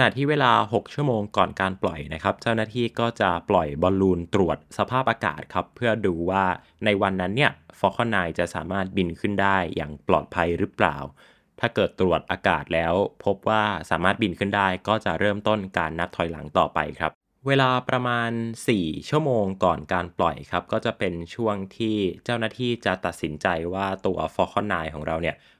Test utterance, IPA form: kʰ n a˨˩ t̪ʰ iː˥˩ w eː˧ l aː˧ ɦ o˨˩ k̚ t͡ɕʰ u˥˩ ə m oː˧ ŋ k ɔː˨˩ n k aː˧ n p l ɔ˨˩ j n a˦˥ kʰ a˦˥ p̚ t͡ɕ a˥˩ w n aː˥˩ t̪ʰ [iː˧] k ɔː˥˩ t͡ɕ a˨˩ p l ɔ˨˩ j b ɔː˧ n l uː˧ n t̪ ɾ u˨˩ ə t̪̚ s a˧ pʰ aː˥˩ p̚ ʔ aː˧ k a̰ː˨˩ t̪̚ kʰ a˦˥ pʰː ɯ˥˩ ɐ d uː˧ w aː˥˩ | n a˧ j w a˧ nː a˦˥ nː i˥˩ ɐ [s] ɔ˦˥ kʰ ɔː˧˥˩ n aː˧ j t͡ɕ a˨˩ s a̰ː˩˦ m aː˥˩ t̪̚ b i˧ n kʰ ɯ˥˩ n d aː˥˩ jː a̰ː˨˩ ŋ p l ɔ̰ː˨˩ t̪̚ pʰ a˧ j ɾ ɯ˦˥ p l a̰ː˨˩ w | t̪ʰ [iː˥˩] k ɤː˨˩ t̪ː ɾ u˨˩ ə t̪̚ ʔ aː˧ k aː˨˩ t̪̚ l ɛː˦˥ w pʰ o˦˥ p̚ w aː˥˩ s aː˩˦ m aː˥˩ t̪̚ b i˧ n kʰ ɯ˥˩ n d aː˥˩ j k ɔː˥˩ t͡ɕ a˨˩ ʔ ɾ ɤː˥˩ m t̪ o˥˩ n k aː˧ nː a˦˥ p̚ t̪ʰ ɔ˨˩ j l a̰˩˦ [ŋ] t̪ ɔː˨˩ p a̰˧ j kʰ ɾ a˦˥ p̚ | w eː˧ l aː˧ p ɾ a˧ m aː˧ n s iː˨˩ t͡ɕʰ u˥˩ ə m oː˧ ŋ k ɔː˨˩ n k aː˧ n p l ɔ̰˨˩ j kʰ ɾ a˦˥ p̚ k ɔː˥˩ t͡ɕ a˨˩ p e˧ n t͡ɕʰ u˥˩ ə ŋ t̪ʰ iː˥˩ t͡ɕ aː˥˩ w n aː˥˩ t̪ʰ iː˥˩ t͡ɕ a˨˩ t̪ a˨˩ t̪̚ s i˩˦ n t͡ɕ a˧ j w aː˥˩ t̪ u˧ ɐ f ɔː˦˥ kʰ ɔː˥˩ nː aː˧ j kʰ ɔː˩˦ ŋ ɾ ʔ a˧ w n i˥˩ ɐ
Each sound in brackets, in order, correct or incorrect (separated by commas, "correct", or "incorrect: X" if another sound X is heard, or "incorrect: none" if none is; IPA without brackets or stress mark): incorrect: iː˥˩, incorrect: f, incorrect: aː˥˩, correct